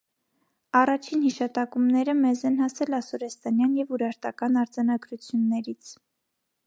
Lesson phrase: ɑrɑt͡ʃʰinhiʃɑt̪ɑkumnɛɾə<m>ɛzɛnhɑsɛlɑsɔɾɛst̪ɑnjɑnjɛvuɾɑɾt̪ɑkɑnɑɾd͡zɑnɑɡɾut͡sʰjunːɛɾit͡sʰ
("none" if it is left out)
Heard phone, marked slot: m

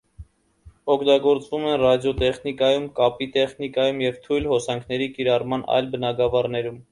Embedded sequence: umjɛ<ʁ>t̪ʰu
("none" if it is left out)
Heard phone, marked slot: v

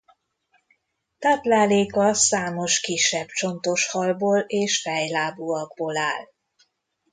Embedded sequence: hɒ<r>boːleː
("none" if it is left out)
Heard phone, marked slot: l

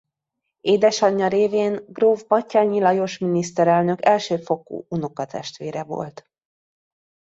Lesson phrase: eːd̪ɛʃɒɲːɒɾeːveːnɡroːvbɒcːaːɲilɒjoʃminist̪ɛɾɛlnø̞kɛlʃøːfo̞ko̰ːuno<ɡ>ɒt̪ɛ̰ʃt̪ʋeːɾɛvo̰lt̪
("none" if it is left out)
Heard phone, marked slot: k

